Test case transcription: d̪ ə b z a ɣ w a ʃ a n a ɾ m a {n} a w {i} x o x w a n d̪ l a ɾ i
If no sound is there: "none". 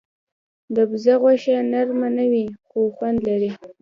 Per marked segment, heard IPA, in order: n, i

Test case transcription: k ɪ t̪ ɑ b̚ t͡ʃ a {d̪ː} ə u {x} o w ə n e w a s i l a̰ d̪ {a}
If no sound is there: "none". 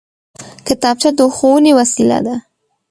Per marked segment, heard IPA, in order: d̪, x, a

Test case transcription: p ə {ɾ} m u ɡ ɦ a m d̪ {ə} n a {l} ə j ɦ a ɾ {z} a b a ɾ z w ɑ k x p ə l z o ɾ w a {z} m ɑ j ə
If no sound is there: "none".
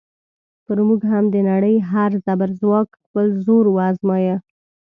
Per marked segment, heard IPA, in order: ɾ, ə, ɽ, z, z

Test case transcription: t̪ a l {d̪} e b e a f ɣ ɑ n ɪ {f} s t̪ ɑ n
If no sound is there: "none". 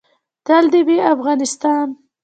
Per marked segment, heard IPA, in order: d̪, none

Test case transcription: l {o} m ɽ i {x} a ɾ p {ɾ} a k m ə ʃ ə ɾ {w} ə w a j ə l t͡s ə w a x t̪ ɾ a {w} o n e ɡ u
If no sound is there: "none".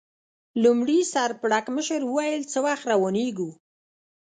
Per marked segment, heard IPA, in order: u, s, ɽ, w, w

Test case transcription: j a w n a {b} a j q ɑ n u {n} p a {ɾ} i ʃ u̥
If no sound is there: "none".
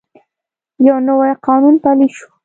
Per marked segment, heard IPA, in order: w, n, l

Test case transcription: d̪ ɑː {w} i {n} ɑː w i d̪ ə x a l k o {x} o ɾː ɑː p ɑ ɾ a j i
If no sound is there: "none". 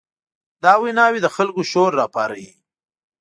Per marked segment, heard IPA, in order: w, n, ʃ

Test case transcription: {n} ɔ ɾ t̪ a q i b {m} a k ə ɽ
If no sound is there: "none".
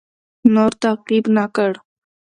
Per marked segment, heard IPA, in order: n, n

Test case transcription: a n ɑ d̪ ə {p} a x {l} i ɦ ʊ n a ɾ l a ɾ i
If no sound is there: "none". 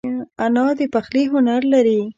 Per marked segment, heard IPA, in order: p, l

